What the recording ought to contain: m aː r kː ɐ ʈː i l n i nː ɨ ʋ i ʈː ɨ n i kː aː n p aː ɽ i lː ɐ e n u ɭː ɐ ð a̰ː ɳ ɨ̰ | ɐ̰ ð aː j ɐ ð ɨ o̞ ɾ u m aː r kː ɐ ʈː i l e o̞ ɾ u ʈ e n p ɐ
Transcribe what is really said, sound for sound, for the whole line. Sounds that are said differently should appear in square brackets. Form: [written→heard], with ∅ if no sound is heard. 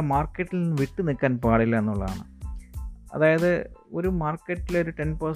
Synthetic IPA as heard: m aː r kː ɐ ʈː i l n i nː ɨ ʋ i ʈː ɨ n i kː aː n p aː ɽ i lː ɐ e [n→nː] u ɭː ɐ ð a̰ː ɳ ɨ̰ | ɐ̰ ð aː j ɐ ð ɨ o̞ ɾ u m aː r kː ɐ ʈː i l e o̞ ɾ u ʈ e n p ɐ